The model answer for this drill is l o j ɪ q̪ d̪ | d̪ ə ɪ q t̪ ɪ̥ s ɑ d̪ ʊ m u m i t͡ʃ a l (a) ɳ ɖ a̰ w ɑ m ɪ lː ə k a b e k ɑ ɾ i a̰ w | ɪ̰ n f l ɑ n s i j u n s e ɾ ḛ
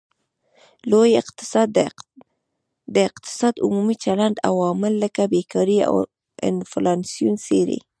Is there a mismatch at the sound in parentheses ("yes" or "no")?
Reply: no